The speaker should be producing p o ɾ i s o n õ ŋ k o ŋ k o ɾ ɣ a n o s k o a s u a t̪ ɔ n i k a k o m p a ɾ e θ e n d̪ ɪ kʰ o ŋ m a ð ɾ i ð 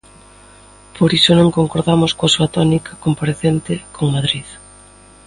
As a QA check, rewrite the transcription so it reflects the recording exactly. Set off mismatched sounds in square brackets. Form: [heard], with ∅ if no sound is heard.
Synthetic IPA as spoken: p o ɾ i s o n õ ŋ k o ŋ k o ɾ [ð] a [m] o s k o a s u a t̪ ɔ n i k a k o m p a ɾ e θ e n [t̪] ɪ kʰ o ŋ m a ð ɾ i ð